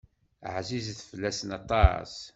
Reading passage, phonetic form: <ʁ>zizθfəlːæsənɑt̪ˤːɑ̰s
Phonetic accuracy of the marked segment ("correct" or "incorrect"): incorrect